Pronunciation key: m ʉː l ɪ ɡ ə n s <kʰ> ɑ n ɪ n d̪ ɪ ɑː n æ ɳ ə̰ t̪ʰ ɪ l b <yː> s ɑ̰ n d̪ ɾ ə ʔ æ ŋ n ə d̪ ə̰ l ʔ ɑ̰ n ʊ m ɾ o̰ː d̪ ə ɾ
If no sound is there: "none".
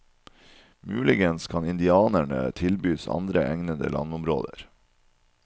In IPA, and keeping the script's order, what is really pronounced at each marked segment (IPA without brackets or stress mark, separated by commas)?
kʰ, yː